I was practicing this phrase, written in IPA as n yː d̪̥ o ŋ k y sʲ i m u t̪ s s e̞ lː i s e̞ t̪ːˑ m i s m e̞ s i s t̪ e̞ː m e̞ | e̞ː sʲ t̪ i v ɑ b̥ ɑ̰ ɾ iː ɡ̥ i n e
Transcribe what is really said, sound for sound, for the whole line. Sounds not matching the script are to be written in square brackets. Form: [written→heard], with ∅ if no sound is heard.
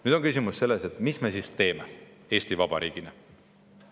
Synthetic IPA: n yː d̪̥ o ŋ k y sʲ i m u [t̪→∅] s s e̞ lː [i→e] s e̞ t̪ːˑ m i s m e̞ s i s t̪ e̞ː m e̞ | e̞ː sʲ t̪ i v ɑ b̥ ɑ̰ ɾ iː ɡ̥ i n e